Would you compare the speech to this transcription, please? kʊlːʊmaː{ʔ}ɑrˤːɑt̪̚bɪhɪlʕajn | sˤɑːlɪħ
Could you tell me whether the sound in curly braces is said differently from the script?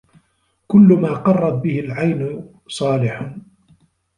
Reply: yes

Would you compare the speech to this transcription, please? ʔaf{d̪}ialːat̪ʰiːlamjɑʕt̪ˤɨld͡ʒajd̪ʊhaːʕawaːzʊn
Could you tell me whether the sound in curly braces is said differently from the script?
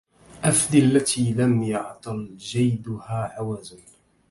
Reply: no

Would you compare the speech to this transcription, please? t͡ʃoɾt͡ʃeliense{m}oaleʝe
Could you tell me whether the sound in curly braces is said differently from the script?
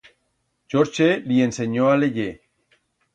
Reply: yes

